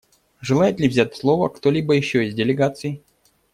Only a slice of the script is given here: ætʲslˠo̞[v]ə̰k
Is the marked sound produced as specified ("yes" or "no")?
yes